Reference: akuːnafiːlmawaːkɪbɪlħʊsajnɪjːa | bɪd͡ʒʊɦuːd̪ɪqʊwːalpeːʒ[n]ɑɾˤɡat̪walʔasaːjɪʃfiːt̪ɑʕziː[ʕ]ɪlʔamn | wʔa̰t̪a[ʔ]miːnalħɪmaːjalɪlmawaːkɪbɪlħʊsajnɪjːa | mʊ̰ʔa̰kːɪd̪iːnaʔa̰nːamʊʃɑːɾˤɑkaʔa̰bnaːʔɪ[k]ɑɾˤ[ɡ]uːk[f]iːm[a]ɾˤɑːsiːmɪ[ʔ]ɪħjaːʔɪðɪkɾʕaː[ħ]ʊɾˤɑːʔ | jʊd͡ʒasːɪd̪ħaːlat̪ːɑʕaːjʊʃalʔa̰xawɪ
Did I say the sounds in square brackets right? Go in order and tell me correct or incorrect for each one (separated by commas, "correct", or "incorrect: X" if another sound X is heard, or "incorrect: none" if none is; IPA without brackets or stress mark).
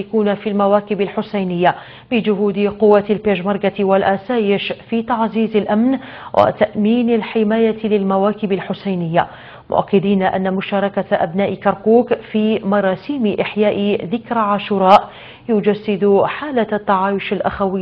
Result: incorrect: m, incorrect: z, correct, correct, incorrect: k, correct, incorrect: ɑ, correct, incorrect: ʃ